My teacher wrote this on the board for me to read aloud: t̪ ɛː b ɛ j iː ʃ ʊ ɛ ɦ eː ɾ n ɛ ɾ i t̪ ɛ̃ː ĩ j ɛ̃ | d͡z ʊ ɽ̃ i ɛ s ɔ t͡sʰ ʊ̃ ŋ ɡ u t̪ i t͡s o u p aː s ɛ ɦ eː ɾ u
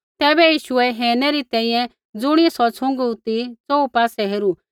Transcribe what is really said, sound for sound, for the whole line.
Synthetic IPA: t̪ ɛː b ɛ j iː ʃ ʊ ɛ ɦ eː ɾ n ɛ ɾ i t̪ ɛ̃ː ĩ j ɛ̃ | d͡z ʊ ɽ̃ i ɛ s ɔ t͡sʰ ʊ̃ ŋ ɡ u t̪ i t͡s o u p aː s ɛ ɦ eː ɾ u